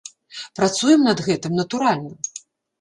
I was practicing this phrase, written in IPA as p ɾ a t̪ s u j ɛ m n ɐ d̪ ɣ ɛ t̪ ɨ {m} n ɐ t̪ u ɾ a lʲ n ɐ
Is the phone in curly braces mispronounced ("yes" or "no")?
no